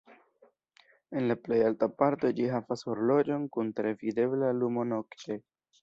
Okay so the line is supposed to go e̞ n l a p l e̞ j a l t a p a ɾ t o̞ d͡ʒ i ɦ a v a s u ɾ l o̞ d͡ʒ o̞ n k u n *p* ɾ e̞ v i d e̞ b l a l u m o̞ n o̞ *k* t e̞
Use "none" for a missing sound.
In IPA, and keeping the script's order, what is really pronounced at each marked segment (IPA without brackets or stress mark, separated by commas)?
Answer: t, k